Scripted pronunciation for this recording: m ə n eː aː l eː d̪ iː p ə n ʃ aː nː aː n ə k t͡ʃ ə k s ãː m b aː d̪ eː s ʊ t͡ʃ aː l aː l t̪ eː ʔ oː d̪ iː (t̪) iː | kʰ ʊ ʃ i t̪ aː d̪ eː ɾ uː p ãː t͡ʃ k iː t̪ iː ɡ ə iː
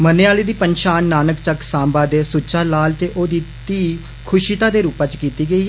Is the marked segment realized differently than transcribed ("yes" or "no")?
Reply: no